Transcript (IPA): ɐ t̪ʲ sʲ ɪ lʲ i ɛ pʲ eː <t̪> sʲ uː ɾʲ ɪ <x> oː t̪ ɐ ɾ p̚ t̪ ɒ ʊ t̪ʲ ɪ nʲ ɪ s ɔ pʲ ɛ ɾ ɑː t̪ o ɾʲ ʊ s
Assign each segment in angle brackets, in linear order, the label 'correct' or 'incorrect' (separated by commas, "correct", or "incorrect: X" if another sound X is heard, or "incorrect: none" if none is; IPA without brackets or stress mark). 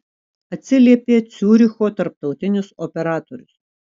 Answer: correct, correct